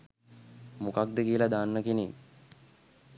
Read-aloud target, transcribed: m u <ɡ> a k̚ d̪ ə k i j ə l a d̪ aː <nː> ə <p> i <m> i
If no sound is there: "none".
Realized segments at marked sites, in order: k, nː, k, n

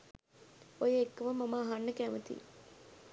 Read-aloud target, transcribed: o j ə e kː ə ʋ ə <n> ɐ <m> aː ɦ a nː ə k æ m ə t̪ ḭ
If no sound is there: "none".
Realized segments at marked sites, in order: m, m

